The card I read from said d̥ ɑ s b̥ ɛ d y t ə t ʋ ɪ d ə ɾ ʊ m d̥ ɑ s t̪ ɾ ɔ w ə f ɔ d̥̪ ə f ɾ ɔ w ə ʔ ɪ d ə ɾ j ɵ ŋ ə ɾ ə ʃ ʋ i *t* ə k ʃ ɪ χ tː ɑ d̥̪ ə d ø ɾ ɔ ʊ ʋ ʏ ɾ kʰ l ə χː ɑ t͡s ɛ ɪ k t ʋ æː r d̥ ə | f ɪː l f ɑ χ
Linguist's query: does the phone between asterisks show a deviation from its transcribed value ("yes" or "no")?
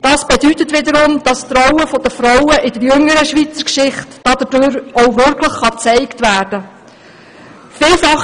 yes